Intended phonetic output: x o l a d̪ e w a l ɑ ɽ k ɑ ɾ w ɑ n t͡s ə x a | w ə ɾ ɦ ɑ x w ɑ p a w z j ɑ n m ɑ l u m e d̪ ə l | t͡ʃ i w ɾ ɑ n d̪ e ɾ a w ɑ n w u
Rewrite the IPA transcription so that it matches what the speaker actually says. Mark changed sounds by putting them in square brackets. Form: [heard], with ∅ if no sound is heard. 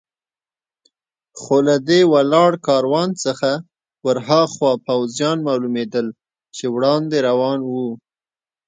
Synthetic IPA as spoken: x o l a d̪ e w a l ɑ ɽ k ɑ ɾ w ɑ n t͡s ə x a | w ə ɾ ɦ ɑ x w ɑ p a w z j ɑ n m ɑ l u m e d̪ ə l | t͡ʃ [e] w [ɽ] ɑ n d̪ e ɾ a w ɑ n w u